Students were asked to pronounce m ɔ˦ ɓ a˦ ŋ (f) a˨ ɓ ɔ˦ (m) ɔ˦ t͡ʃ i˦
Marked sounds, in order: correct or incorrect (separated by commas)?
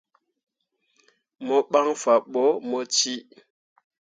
correct, correct